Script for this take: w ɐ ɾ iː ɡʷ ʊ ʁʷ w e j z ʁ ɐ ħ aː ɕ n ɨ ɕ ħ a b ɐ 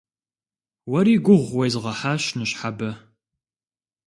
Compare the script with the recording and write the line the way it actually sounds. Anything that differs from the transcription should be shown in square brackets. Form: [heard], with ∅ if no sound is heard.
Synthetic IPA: w ɐ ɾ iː ɡʷ ʊ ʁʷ w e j z ʁ ɐ ħ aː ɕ n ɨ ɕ ħ a b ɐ